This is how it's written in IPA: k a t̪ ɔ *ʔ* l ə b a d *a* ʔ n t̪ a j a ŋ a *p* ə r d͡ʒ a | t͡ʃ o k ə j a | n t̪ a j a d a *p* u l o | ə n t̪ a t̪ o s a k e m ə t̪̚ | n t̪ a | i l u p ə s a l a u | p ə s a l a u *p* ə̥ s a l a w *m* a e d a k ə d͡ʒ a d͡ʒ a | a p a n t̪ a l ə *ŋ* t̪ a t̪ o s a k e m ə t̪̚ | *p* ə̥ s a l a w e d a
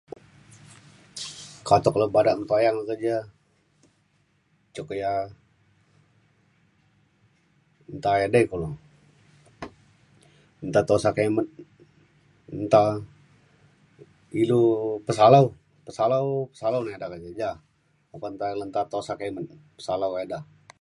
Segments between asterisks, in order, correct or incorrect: incorrect: k, correct, incorrect: k, incorrect: k, correct, incorrect: n, incorrect: n, correct

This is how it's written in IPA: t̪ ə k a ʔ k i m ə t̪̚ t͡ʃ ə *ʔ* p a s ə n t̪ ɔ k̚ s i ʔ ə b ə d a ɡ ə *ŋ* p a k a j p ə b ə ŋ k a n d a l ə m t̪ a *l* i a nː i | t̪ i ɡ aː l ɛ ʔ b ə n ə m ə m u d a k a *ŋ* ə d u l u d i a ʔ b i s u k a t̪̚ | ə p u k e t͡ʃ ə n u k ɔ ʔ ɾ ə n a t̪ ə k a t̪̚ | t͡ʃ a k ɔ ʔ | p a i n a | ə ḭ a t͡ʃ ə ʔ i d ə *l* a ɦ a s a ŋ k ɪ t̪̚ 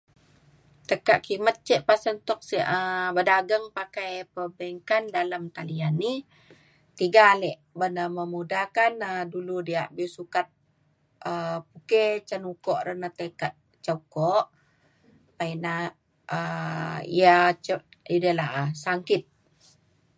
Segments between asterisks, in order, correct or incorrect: correct, correct, correct, incorrect: n, correct

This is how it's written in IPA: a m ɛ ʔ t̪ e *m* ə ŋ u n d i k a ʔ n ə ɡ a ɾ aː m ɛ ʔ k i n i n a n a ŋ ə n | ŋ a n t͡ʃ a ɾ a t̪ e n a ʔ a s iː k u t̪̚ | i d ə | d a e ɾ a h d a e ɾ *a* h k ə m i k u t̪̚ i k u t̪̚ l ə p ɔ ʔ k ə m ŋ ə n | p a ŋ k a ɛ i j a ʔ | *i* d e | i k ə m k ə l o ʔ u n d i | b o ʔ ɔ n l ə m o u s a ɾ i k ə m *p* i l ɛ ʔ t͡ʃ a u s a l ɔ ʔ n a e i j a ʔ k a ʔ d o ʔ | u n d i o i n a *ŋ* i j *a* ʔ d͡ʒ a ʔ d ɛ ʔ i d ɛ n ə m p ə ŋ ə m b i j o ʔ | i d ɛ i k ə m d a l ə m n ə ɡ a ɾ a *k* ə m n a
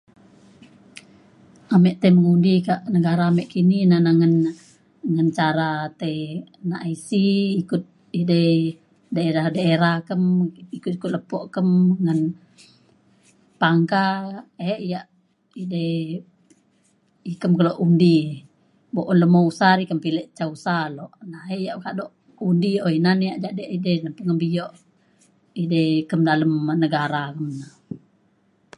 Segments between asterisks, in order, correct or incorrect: correct, correct, correct, correct, incorrect: n, correct, correct

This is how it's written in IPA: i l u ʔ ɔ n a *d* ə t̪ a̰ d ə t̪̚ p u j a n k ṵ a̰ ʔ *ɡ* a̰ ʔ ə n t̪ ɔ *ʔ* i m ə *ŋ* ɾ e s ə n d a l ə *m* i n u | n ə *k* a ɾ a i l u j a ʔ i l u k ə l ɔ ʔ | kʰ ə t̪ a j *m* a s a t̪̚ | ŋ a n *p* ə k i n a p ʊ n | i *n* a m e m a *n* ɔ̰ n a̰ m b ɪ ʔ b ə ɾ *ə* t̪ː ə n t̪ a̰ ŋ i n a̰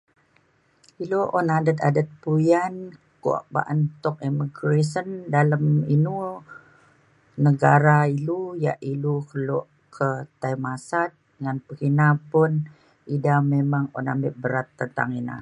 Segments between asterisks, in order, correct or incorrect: correct, incorrect: b, incorrect: k, incorrect: ɡ, correct, incorrect: ɡ, correct, correct, incorrect: d, incorrect: ŋ, incorrect: a

